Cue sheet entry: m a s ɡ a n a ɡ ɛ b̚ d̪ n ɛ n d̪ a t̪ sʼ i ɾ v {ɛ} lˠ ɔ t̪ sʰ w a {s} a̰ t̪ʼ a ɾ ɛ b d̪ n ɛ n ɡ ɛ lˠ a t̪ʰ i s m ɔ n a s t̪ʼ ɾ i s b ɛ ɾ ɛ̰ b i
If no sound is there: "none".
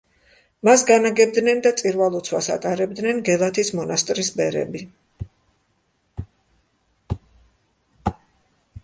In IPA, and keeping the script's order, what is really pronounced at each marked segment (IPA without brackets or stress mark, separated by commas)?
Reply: a, s